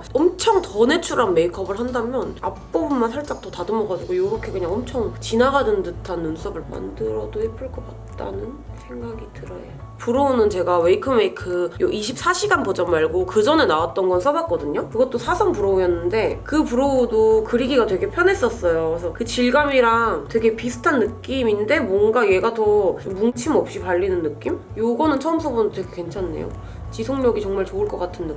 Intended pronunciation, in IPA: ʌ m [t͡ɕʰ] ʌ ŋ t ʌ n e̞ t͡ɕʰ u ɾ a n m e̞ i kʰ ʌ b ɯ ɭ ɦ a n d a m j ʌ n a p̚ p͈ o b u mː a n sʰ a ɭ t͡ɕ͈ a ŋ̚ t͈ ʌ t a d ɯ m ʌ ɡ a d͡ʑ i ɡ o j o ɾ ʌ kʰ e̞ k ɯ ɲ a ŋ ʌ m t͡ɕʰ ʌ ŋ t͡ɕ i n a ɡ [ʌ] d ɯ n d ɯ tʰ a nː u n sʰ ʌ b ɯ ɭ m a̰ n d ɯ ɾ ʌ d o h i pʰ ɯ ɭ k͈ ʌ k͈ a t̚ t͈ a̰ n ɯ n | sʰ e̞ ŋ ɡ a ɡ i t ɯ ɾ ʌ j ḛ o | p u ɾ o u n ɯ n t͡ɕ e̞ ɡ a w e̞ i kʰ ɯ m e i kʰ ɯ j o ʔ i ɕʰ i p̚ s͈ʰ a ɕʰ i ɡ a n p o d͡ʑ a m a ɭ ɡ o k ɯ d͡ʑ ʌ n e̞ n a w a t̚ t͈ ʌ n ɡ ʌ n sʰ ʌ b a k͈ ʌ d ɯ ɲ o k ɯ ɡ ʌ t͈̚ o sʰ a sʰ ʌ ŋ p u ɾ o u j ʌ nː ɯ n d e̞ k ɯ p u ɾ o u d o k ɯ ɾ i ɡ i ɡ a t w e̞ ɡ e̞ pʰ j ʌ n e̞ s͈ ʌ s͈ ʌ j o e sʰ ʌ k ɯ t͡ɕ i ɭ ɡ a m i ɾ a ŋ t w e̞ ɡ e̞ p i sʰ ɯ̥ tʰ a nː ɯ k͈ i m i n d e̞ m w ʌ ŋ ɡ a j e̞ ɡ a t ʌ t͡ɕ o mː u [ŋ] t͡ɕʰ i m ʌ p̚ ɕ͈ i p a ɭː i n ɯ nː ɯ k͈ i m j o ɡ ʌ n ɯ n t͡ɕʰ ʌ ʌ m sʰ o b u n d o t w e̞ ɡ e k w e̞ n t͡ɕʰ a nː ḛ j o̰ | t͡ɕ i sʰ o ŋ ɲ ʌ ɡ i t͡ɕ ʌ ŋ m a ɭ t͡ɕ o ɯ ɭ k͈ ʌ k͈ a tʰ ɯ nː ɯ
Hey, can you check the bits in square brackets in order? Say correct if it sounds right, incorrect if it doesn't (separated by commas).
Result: correct, incorrect, correct